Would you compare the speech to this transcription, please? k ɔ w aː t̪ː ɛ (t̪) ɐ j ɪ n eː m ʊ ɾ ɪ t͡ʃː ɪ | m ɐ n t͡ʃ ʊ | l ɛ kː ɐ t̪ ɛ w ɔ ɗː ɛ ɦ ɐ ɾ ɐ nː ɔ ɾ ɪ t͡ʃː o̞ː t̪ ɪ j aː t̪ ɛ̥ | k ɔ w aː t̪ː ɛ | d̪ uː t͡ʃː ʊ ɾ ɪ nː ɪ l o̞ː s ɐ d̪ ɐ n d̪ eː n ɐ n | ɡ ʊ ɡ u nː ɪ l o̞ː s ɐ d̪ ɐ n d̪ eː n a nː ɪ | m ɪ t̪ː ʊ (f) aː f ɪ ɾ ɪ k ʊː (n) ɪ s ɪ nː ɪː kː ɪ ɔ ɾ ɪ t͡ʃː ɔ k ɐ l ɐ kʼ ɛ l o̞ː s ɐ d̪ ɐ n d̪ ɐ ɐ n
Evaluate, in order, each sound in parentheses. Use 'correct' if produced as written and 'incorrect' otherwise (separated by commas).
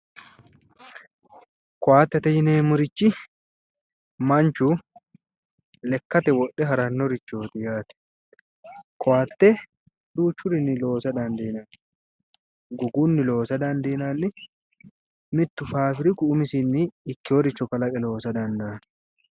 correct, correct, incorrect